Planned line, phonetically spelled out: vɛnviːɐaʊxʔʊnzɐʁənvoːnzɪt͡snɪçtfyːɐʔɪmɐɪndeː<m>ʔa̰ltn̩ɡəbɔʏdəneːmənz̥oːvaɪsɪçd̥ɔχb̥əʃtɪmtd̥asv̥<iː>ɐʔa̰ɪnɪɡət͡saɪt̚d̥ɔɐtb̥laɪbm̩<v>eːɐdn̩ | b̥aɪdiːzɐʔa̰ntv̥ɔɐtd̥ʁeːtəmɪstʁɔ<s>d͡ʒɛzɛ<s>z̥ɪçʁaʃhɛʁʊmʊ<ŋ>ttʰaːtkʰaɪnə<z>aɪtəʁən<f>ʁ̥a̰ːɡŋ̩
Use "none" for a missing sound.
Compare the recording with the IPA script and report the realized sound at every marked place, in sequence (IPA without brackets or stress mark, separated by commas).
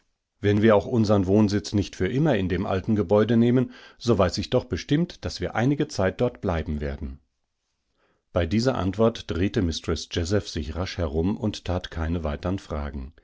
m, iː, v, s, f, n, v, f